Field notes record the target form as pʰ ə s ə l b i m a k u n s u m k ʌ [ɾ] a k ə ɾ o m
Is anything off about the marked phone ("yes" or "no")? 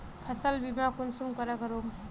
no